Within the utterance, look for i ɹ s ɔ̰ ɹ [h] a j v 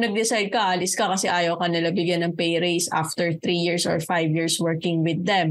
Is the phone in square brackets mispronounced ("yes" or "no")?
yes